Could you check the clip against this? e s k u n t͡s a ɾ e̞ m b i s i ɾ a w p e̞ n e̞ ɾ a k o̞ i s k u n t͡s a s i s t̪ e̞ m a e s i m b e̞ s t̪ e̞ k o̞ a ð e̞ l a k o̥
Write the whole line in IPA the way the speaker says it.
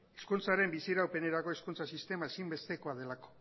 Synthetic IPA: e s k u n t͡s a ɾ e̞ m b i s i ɾ a w p e̞ n e̞ ɾ a k o̞ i s k u n t͡s a s i s t̪ e̞ m a e s i m b e̞ s t̪ e̞ k o̞ a ð e̞ l a k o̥